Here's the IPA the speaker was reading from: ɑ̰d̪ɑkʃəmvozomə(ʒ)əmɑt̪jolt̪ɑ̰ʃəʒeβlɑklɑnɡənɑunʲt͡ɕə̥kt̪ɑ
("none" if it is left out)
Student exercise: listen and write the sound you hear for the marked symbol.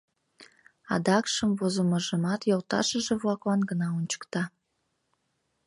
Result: ʒ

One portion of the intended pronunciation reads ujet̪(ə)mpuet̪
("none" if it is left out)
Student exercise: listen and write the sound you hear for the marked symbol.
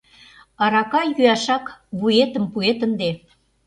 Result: ə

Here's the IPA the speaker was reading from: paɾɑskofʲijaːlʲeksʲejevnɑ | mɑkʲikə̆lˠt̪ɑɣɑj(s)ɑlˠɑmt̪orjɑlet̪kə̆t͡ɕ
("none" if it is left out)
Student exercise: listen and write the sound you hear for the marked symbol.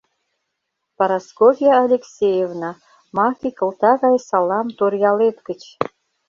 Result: s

